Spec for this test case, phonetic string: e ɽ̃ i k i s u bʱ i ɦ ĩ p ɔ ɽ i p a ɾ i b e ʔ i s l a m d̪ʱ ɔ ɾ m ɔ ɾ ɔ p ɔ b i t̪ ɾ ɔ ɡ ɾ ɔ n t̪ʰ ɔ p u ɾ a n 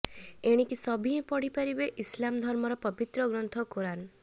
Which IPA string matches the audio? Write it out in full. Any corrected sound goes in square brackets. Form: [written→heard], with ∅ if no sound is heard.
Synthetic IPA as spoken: e ɽ̃ i k i s [u→ɔ] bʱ i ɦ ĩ p ɔ ɽ i p a ɾ i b e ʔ i s l a m d̪ʱ ɔ ɾ m ɔ ɾ ɔ p ɔ b i t̪ ɾ ɔ ɡ ɾ ɔ n t̪ʰ ɔ [p→k] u ɾ a n